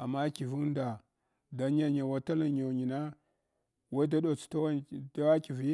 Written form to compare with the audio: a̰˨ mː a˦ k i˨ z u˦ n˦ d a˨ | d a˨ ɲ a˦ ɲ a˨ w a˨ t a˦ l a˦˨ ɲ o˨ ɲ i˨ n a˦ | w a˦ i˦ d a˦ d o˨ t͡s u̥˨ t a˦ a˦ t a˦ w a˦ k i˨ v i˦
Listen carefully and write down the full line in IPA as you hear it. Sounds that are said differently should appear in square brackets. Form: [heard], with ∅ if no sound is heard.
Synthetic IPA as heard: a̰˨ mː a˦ k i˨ [v] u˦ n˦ d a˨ | d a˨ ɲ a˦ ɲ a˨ w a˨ t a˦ l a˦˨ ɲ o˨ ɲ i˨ n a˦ | w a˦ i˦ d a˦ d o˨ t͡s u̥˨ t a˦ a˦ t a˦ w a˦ k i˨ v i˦